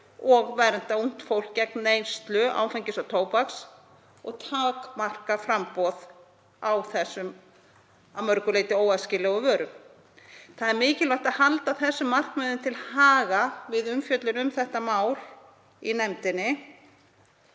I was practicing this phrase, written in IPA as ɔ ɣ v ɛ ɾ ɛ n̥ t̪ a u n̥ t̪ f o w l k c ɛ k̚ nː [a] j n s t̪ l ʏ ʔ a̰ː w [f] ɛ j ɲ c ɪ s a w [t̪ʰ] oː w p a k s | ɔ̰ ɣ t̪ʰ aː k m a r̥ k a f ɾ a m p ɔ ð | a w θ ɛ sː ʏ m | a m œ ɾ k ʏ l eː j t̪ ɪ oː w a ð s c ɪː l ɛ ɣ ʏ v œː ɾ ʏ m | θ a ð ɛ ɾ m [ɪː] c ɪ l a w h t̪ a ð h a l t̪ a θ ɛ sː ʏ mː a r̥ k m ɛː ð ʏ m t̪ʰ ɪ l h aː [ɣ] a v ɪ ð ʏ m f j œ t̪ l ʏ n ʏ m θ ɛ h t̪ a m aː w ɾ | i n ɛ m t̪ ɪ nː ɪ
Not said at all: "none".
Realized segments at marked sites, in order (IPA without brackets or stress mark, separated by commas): e, f, t̪ʰ, ɪː, ɣ